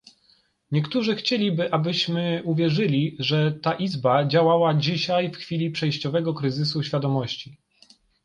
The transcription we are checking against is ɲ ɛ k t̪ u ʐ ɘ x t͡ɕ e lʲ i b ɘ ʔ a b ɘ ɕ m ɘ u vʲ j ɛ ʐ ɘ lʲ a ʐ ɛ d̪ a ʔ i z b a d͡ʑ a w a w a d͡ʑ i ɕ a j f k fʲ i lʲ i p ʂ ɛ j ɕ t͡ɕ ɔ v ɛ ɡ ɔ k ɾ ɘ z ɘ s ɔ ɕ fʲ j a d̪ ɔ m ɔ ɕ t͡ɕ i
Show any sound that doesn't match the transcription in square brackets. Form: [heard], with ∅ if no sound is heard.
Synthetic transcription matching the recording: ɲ ɛ k t̪ u ʐ ɘ x t͡ɕ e lʲ i b ɘ ʔ a b ɘ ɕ m ɘ u vʲ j ɛ ʐ ɘ lʲ [i] ʐ ɛ [t̪] a ʔ i z b a d͡ʑ a w a w a d͡ʑ i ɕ a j f [x] fʲ i lʲ i p ʂ ɛ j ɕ t͡ɕ ɔ v ɛ ɡ ɔ k ɾ ɘ z ɘ s [u] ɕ fʲ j a d̪ ɔ m ɔ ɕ t͡ɕ i